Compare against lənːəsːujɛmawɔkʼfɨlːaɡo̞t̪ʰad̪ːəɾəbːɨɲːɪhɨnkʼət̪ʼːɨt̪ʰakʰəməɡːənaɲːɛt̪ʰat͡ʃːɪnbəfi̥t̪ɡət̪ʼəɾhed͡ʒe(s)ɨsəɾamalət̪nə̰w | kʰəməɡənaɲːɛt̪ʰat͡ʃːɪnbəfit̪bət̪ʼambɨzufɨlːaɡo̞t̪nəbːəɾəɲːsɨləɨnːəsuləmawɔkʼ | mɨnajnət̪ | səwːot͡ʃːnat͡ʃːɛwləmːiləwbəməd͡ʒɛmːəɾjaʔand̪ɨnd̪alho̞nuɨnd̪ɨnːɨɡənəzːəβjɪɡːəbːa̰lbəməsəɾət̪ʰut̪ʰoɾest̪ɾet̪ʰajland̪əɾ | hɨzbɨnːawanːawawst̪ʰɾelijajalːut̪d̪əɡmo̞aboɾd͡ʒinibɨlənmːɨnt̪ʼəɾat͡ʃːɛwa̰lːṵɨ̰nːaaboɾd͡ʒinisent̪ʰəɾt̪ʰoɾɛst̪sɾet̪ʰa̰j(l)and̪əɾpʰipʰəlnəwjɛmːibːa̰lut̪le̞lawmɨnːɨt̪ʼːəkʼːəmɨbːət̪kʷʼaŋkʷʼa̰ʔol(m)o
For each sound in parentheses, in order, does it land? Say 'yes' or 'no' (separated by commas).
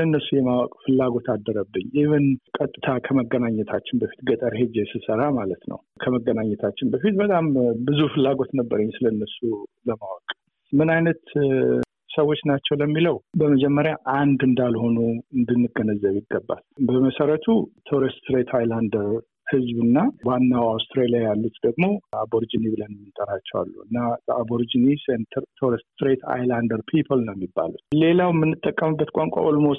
yes, yes, yes